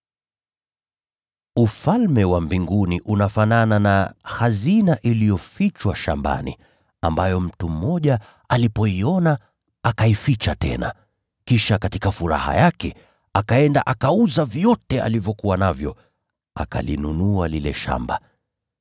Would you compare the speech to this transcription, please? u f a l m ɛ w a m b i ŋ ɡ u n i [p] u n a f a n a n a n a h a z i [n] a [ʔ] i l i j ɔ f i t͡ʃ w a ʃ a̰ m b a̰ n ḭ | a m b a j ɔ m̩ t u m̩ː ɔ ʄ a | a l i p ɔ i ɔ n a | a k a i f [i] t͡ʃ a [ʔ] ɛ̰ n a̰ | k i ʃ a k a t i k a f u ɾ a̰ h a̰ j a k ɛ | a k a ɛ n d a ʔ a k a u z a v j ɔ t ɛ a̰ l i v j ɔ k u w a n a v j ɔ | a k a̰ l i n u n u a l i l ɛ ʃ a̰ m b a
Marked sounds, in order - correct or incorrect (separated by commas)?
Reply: incorrect, correct, correct, correct, incorrect